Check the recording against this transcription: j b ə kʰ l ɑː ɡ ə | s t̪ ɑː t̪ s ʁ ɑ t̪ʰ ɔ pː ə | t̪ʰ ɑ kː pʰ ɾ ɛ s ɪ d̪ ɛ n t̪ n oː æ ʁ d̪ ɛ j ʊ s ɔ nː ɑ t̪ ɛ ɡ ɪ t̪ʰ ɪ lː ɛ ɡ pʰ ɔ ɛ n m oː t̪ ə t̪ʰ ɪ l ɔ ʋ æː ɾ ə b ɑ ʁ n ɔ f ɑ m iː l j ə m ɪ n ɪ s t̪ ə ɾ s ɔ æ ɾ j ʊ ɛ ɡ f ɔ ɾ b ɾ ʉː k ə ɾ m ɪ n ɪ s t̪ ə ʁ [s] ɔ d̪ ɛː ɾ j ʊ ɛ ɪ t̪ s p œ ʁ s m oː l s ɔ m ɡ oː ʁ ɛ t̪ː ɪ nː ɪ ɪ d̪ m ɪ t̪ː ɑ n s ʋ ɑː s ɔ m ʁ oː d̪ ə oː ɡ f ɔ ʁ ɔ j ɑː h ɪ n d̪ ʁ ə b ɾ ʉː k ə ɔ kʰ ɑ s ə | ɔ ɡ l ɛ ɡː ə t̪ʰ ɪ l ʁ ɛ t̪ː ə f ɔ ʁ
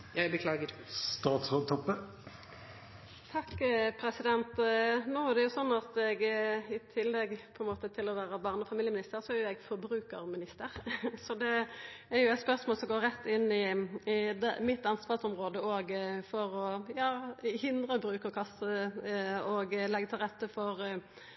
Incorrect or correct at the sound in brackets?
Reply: correct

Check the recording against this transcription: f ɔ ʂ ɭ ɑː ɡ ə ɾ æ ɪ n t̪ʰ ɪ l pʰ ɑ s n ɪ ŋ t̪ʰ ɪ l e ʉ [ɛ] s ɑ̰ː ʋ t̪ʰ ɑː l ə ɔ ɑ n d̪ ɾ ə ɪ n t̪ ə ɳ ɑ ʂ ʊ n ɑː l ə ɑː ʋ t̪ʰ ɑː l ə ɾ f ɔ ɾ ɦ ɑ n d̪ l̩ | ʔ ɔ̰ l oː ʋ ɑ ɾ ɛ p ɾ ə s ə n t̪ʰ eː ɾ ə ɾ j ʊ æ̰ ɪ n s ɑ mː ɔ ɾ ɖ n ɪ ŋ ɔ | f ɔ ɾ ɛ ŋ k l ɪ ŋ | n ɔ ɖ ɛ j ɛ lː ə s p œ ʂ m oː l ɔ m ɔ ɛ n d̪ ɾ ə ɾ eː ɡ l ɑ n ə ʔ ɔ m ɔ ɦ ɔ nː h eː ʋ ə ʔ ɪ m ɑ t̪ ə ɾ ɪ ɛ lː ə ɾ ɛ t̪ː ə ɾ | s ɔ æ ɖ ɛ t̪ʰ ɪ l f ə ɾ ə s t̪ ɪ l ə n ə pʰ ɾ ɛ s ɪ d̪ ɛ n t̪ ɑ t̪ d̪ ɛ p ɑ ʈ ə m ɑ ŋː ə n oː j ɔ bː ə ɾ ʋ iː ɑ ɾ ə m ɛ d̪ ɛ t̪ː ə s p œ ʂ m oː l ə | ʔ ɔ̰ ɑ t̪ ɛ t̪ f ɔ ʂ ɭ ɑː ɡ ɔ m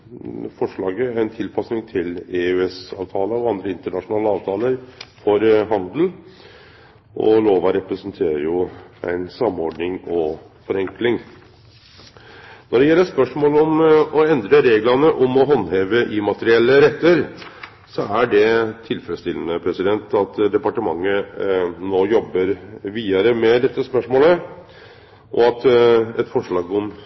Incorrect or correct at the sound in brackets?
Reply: correct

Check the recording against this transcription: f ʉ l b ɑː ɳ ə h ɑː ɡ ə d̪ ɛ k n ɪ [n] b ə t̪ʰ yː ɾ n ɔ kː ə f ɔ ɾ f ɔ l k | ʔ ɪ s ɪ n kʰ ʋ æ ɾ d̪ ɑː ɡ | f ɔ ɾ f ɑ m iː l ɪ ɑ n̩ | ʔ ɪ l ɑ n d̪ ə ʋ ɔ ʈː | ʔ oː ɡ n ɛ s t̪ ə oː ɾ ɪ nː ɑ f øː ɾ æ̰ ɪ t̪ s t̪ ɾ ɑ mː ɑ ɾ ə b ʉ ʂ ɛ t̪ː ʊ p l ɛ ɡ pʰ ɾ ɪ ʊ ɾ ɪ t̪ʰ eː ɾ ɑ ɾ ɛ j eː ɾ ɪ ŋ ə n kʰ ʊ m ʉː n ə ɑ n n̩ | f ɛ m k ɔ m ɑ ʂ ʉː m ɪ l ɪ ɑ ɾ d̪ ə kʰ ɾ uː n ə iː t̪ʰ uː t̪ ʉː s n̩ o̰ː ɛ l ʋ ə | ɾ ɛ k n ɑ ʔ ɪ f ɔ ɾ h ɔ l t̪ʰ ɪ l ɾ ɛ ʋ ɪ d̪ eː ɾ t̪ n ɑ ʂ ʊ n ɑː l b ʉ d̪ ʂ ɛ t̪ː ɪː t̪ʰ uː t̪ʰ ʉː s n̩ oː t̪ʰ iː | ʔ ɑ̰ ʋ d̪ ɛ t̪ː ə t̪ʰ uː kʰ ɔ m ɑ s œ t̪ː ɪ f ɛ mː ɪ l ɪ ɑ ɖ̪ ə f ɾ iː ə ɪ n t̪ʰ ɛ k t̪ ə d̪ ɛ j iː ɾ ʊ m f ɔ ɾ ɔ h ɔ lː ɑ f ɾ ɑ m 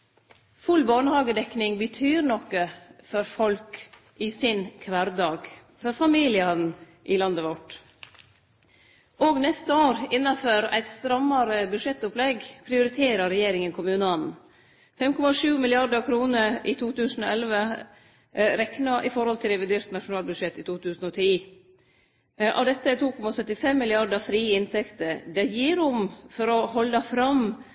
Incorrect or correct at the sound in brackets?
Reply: incorrect: ŋ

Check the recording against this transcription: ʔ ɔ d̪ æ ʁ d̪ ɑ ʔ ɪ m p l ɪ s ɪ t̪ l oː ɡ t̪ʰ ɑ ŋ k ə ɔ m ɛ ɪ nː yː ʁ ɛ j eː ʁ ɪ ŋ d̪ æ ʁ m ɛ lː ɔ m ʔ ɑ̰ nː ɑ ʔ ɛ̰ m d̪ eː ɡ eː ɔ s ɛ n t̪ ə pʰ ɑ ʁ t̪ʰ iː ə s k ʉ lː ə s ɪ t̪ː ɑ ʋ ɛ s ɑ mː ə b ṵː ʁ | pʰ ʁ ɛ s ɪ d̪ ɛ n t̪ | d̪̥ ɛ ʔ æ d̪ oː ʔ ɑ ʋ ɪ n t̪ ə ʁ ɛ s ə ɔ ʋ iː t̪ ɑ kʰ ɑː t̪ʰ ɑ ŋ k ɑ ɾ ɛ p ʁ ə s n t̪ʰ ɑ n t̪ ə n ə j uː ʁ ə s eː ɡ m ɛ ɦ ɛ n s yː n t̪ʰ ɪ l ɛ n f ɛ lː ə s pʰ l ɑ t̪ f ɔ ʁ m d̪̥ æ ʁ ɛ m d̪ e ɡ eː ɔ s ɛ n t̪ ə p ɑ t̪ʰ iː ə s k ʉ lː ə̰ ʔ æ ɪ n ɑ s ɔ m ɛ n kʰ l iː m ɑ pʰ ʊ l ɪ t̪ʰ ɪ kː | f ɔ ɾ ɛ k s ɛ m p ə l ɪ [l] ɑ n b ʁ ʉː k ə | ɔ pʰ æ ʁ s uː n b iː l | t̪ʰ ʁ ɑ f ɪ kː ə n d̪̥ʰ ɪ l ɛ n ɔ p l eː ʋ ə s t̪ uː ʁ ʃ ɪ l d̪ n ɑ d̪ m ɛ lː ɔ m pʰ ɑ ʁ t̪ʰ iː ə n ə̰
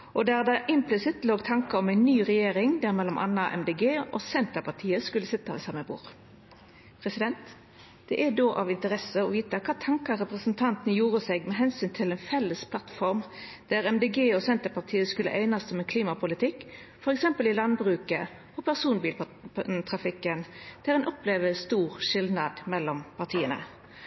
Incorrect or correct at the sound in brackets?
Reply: correct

